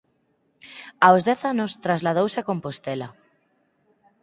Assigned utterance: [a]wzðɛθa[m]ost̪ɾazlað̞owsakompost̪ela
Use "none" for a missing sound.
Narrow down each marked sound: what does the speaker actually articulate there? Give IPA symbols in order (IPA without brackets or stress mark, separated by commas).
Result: a, n